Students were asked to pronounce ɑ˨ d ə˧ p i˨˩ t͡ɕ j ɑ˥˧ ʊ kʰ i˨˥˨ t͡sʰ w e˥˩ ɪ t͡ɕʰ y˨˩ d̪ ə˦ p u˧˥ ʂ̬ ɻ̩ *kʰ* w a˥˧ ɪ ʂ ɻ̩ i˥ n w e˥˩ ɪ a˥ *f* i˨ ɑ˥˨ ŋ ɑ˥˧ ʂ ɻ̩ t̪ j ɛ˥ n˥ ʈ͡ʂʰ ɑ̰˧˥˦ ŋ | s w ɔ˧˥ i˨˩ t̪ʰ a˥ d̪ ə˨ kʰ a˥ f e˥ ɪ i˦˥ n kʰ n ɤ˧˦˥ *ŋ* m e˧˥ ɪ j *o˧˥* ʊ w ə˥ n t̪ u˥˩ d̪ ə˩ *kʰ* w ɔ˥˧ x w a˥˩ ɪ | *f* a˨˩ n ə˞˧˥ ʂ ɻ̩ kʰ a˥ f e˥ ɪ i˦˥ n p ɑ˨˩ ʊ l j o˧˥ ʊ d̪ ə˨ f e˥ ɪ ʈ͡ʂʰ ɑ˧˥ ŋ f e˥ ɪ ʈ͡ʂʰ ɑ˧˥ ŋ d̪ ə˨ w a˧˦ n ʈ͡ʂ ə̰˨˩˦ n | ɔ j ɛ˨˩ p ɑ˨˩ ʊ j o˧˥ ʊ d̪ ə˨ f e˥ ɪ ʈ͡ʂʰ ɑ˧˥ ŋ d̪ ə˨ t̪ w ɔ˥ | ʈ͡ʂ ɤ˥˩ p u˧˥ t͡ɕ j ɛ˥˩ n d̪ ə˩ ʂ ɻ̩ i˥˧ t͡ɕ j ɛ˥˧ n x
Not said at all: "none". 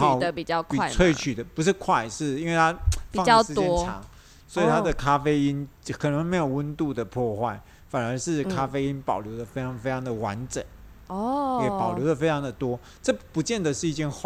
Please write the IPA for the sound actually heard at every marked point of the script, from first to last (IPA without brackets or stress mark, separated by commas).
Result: kʰ, f, ŋ, o˨˩, pʰ, f